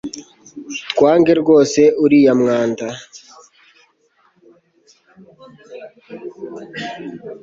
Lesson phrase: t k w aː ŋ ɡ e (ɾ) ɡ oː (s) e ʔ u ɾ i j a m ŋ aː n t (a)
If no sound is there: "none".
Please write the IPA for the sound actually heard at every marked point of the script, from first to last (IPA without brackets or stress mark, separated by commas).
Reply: ɾ, s, a